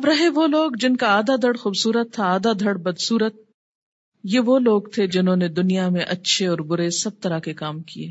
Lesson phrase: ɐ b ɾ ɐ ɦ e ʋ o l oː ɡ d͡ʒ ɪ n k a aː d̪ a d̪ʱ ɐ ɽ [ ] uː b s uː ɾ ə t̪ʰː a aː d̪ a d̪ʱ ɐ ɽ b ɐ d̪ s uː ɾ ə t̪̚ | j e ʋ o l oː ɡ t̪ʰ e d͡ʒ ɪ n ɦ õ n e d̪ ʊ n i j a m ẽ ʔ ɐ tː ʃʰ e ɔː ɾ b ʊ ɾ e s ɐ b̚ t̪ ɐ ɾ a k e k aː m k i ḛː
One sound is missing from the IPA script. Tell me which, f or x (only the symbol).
x